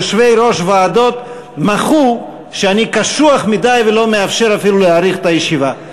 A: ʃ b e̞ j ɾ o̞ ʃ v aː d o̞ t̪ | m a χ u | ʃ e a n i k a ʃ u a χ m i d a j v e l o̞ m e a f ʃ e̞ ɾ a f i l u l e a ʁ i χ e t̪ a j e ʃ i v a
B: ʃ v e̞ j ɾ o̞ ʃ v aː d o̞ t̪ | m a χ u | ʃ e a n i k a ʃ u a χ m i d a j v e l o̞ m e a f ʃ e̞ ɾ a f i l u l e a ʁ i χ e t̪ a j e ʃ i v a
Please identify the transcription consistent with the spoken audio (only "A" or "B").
B